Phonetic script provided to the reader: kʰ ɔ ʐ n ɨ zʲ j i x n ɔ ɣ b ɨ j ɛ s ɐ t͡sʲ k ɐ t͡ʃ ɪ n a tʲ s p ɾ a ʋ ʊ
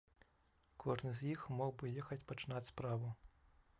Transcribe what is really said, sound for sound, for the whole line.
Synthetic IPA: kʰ ɔ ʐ n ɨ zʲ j i x m ɔ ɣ b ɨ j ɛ x ɐ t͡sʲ p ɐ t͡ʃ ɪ n a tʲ s p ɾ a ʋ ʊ